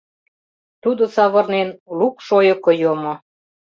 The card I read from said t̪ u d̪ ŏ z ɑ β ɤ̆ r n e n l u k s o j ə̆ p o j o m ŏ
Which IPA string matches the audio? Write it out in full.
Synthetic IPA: t̪ u d̪ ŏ s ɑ β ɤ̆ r n e n l u k ʃ o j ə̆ k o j o m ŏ